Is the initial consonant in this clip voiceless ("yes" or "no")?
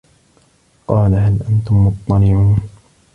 yes